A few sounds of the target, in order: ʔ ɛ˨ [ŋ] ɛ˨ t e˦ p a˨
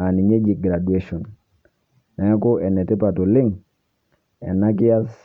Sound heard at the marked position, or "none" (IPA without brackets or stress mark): n